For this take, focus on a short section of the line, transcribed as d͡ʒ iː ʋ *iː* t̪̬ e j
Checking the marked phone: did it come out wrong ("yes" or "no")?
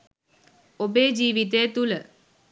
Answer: yes